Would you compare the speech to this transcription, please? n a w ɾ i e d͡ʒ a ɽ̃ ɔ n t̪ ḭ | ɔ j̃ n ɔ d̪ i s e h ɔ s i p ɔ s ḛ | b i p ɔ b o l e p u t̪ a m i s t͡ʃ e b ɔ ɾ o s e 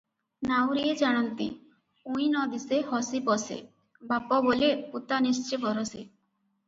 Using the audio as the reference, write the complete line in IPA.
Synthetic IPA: n a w ɾ i e d͡ʒ a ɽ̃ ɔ n t̪ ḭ | u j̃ n ɔ d̪ i s e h ɔ s i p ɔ s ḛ | b a p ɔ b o l e p u t̪ a n i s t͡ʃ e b ɔ ɾ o s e